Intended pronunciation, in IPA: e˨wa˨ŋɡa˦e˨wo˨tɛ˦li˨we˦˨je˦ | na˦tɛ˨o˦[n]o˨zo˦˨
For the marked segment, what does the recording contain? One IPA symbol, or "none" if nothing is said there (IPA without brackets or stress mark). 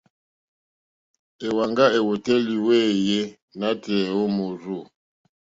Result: m